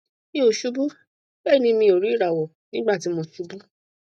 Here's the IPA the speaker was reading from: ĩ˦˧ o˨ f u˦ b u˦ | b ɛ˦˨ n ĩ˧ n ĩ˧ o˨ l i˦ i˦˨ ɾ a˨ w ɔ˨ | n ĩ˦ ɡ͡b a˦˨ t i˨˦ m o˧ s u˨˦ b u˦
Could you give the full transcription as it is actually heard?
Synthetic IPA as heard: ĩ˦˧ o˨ ʃ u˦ b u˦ | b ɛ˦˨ n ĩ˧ m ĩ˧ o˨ ɾ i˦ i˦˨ ɾ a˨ w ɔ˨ | n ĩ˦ ɡ͡b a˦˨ t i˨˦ m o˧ ʃ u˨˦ b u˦